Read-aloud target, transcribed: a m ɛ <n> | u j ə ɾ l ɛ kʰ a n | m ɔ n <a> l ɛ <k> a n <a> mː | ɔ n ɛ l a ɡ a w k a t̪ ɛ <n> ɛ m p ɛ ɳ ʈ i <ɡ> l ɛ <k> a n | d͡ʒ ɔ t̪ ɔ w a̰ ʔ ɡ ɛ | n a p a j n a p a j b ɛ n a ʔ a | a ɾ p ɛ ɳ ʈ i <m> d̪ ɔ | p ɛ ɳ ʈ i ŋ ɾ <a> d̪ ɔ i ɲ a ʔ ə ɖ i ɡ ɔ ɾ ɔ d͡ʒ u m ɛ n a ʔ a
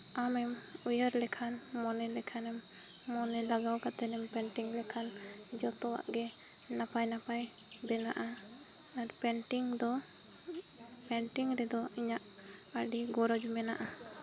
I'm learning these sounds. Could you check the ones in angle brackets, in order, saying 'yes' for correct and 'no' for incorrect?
no, no, no, no, yes, no, no, no, no

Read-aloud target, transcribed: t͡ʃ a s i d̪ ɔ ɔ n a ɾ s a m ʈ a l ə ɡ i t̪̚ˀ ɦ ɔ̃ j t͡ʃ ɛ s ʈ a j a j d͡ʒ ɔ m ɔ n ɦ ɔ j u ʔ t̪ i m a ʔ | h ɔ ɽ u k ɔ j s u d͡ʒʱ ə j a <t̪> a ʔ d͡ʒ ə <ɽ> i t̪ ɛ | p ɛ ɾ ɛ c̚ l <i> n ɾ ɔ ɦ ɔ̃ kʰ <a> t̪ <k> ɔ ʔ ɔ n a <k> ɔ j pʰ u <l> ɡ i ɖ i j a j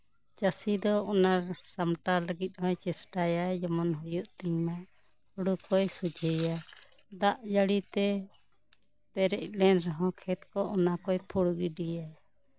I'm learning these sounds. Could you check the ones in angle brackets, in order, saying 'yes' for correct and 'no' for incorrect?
no, yes, no, no, yes, yes, no

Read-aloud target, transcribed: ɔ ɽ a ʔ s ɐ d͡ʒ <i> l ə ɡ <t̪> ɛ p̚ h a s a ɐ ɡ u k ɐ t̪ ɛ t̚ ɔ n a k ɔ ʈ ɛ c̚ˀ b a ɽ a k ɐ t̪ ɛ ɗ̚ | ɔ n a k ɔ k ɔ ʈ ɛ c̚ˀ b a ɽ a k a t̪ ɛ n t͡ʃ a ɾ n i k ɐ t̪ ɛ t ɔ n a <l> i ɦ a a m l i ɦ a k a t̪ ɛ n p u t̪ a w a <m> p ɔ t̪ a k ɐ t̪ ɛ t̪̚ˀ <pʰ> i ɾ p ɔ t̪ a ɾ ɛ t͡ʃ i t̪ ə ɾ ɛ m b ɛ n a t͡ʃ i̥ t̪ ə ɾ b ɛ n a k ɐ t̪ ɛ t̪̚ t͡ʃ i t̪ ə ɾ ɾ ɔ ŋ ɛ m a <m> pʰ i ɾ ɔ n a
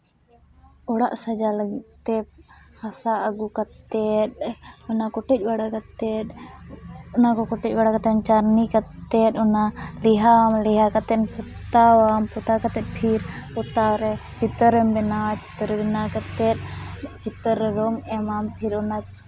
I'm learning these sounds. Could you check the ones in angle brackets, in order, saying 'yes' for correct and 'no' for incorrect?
no, yes, yes, yes, yes, yes

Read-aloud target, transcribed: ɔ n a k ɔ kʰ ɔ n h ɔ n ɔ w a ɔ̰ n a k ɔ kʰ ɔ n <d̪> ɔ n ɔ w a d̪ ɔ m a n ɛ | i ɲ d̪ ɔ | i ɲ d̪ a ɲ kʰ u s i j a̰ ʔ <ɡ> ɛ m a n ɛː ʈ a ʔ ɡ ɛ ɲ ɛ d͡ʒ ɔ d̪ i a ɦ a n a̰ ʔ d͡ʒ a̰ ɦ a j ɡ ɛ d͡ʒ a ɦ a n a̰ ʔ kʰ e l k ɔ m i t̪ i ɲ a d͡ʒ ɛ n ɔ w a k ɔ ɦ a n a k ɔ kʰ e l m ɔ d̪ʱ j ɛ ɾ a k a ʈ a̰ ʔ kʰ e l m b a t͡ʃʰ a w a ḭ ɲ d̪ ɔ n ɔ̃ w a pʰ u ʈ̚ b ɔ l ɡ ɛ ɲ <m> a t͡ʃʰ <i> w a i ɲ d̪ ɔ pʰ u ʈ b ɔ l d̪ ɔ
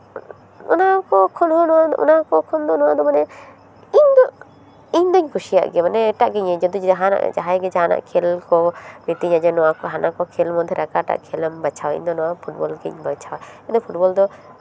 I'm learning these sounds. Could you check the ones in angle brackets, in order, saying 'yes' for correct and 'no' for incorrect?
yes, yes, no, no

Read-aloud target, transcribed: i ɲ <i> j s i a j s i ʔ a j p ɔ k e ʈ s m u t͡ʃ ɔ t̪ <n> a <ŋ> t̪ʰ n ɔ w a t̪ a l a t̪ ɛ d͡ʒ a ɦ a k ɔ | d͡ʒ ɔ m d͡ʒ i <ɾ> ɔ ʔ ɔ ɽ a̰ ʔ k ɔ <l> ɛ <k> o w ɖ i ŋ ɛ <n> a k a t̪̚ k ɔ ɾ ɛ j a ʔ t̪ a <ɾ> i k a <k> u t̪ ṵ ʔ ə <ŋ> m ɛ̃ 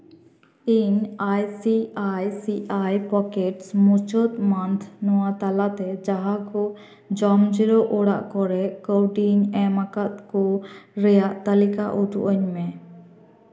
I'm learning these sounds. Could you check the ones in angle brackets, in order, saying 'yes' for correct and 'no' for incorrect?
no, no, no, yes, no, yes, no, no, no, no

